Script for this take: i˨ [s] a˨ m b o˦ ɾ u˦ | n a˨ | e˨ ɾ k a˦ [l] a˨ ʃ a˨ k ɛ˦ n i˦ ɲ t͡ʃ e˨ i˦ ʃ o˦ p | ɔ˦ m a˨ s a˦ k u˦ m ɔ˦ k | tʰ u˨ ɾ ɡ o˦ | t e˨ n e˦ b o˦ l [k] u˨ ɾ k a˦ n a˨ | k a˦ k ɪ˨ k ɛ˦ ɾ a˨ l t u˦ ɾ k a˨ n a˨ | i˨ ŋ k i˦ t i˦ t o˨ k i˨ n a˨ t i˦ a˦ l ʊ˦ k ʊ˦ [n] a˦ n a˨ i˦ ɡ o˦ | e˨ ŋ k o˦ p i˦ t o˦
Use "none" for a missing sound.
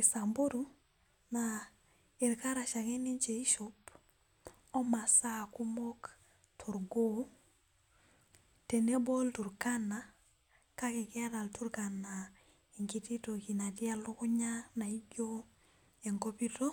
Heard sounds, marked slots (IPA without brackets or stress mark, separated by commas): s, ɾ, t, ɲ